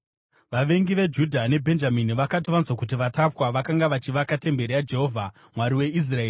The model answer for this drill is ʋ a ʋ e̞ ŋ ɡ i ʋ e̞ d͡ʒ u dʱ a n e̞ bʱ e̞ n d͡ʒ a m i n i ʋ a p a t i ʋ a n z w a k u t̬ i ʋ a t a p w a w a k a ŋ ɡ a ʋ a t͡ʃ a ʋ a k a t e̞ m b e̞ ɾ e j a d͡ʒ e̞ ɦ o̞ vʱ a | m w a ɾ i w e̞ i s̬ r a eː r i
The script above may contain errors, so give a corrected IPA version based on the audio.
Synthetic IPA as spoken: ʋ a ʋ e̞ ŋ ɡ i ʋ e̞ d͡ʒ u dʱ a n e̞ bʱ e̞ n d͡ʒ a m i n i ʋ a k a t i ʋ a n z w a k u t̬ i ʋ a t a p w a ʋ a k a ŋ ɡ a ʋ a t͡ʃ i ʋ a k a t e̞ m b e̞ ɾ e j a d͡ʒ e̞ ɦ o̞ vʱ a | m w a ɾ i w e̞ i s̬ r a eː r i